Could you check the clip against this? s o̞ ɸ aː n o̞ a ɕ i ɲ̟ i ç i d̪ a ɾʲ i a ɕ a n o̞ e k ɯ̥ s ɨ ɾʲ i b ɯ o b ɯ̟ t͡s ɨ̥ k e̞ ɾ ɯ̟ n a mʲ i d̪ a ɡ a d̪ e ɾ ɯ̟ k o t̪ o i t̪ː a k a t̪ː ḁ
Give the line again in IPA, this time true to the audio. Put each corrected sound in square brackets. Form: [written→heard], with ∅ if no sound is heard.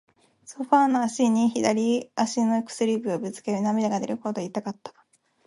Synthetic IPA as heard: s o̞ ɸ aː n o̞ a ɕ i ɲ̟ i ç i d̪ a ɾʲ i a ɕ [a→i] n o̞ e k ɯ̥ s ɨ ɾʲ i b ɯ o b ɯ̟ t͡s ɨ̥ k e̞ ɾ ɯ̟ n a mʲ i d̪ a ɡ a d̪ e ɾ ɯ̟ k o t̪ o i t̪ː a k a t̪ː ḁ